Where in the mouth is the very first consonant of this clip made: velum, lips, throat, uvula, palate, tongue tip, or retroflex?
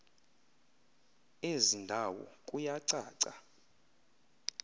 tongue tip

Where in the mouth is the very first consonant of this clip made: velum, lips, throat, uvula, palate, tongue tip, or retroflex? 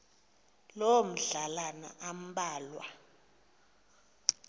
tongue tip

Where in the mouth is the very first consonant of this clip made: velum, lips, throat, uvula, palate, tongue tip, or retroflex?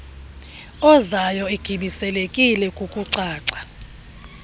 tongue tip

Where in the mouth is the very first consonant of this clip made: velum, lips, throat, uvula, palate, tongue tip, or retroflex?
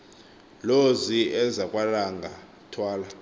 tongue tip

